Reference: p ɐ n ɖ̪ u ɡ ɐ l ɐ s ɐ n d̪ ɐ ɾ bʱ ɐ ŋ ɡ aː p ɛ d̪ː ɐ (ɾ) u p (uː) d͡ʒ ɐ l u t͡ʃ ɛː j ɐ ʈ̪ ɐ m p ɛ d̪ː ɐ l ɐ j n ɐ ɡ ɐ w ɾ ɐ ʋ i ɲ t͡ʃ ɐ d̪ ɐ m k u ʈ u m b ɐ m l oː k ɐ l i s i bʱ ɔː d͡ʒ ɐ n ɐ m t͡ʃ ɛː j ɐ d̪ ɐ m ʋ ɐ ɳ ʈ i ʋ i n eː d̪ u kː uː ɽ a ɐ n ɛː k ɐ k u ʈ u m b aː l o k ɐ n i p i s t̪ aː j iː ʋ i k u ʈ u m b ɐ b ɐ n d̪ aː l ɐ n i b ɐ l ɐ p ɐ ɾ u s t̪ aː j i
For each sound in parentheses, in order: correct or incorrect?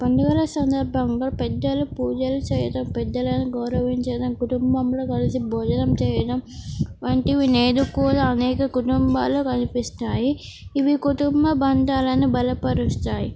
incorrect, correct

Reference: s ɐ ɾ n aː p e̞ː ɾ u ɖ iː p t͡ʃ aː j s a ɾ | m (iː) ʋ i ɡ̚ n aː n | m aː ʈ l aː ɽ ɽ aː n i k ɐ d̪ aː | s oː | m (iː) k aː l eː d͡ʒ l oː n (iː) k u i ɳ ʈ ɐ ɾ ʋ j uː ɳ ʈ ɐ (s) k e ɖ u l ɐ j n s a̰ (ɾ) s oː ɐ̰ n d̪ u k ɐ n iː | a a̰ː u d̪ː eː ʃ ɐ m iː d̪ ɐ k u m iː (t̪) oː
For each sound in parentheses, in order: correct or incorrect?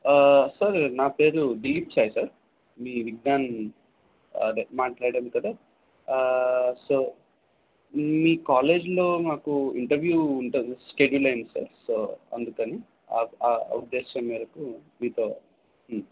correct, correct, incorrect, correct, correct, correct

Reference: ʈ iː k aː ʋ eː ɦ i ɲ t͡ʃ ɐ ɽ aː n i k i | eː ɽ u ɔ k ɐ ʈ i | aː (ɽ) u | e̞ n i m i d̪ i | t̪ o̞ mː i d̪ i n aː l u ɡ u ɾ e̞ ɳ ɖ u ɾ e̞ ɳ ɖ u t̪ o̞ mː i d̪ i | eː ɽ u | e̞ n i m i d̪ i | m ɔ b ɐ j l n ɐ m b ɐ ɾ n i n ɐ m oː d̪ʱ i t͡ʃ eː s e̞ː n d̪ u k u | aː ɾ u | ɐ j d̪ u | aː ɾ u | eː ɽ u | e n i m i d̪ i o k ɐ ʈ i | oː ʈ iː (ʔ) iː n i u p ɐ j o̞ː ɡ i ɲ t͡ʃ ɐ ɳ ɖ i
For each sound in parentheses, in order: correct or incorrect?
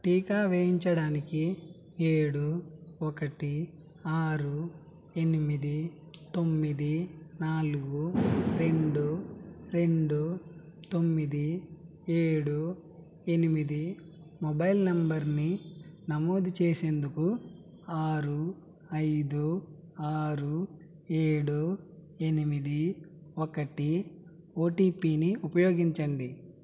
incorrect, incorrect

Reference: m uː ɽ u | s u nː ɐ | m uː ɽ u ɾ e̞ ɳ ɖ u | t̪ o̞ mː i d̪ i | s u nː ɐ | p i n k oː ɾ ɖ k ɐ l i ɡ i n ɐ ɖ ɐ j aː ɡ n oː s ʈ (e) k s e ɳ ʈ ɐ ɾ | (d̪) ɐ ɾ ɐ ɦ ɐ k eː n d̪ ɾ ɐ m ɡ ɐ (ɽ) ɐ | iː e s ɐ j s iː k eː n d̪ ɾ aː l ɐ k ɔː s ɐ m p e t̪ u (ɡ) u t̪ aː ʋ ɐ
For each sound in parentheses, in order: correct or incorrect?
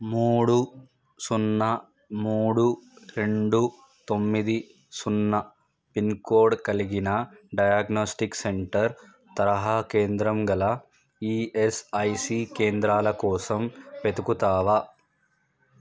incorrect, incorrect, incorrect, incorrect

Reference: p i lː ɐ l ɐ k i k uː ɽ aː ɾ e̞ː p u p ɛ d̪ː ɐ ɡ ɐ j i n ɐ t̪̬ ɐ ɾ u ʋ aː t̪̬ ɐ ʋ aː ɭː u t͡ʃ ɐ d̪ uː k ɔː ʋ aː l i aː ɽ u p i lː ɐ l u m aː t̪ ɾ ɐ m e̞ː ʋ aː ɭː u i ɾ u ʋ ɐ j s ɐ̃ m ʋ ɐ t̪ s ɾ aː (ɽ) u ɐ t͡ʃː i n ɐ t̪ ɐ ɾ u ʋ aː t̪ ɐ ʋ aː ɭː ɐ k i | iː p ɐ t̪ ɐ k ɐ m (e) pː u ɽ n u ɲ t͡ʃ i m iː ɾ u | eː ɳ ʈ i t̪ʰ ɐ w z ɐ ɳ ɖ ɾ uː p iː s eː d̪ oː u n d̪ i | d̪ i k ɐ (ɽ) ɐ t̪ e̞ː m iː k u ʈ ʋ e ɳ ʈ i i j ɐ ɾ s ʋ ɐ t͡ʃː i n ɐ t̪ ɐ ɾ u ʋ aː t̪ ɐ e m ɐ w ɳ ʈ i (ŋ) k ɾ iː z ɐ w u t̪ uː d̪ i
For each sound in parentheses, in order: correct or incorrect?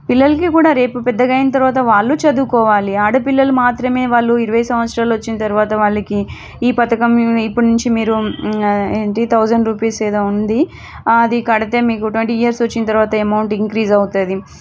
incorrect, incorrect, correct, correct

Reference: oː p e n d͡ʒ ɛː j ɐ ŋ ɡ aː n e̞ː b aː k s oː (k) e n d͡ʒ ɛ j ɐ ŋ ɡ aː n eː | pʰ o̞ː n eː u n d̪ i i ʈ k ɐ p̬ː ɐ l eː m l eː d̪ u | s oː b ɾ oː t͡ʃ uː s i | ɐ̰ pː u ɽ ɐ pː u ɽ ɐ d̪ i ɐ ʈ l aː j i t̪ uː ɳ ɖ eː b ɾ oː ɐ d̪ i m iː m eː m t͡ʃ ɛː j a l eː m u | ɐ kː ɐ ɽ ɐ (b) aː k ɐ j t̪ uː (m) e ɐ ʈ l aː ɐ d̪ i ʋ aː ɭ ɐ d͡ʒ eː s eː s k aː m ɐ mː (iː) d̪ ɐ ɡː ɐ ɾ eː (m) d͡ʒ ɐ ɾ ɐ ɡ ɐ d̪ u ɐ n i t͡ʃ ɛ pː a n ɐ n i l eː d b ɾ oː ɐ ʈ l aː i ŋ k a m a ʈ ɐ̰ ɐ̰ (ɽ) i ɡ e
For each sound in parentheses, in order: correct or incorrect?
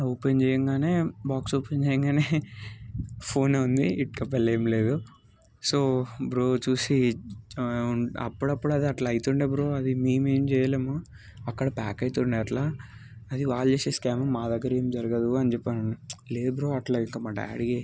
incorrect, incorrect, incorrect, incorrect, correct, correct

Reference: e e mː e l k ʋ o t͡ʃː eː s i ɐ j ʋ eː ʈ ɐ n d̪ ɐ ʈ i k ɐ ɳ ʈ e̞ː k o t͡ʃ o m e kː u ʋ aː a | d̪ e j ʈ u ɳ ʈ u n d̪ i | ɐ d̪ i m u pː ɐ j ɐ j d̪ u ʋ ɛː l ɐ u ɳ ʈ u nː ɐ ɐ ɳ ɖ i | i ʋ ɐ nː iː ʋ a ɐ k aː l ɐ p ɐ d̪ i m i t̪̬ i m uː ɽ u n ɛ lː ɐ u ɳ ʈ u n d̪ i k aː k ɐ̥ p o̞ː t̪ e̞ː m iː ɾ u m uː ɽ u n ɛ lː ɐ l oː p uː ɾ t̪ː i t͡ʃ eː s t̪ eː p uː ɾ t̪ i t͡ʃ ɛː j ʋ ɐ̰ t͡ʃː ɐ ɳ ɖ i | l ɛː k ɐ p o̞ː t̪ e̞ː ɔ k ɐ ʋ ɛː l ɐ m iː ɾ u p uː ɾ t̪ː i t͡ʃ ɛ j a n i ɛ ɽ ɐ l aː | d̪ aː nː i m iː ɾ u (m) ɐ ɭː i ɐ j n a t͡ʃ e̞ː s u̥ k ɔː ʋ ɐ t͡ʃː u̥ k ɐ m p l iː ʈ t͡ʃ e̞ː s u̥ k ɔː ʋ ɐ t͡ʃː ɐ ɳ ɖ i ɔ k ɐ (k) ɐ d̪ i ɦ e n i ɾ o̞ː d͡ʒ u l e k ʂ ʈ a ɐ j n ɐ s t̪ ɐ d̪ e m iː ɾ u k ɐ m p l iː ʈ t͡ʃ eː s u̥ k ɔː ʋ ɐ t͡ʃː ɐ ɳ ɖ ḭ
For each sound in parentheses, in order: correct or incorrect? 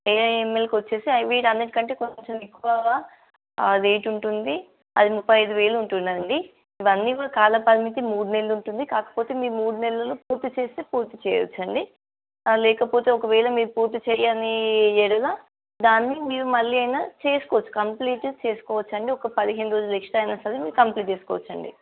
correct, incorrect

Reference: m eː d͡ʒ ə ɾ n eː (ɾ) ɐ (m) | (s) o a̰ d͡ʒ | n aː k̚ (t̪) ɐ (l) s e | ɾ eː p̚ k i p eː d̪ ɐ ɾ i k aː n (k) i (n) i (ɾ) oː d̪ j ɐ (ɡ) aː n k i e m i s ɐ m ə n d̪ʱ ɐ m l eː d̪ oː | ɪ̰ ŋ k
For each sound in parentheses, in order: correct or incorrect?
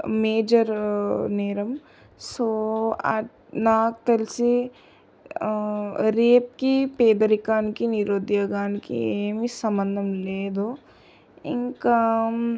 correct, correct, correct, correct, correct, correct, correct, correct, correct

